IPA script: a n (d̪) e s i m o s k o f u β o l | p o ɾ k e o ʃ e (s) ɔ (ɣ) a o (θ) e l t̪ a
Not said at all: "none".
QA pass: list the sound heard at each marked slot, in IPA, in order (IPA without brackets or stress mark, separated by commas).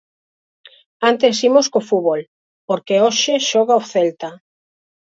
t̪, ʃ, ɣ, θ